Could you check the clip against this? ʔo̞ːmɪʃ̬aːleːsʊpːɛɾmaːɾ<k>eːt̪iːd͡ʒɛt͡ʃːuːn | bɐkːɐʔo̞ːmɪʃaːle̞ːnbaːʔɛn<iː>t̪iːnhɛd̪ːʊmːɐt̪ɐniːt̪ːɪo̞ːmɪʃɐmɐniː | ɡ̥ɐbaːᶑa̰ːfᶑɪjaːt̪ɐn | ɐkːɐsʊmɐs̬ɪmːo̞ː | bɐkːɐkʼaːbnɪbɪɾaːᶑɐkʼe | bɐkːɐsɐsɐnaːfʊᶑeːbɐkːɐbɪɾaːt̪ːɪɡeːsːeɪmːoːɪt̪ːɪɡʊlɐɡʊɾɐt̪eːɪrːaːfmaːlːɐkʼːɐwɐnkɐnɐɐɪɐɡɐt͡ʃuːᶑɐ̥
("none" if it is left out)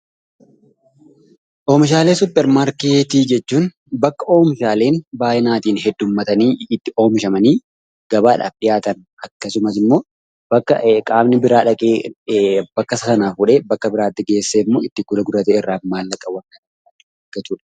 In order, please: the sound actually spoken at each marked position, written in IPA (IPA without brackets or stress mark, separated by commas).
k, aː